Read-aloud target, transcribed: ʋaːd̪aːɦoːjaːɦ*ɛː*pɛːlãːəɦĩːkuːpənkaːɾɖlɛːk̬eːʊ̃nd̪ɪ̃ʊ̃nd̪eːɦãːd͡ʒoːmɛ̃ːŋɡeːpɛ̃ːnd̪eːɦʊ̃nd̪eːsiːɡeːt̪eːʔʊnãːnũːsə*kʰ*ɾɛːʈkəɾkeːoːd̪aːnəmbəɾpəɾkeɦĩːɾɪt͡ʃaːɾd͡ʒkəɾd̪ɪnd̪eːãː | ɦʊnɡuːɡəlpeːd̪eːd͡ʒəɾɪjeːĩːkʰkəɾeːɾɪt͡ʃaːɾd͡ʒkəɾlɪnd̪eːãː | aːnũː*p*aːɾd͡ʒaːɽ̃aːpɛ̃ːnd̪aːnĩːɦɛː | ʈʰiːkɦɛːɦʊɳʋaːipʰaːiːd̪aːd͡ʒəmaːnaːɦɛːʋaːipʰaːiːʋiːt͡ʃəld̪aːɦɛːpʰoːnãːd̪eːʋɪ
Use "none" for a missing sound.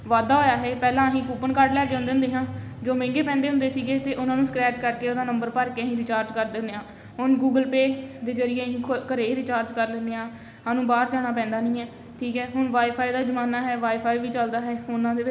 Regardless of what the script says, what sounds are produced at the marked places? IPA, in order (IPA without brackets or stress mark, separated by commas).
ɛː, k, b